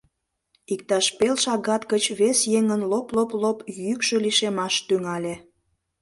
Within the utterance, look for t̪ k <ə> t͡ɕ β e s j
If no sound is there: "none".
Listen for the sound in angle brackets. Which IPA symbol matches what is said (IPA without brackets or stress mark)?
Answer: ə